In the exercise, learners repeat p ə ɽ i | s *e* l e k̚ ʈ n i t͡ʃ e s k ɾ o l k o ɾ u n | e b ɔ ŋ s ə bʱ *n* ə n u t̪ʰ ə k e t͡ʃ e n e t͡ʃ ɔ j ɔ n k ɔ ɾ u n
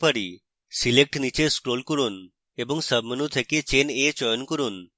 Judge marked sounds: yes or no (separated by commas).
no, no